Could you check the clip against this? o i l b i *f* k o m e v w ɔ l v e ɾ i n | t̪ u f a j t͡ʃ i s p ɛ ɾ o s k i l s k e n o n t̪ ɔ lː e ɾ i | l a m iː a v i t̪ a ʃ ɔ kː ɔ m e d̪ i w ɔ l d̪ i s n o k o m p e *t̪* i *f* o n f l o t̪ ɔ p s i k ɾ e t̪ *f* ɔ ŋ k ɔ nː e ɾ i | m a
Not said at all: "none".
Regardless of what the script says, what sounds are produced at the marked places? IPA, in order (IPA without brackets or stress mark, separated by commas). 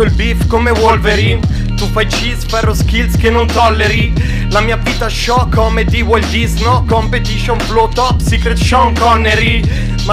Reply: f, t̪, ʃ, ʃ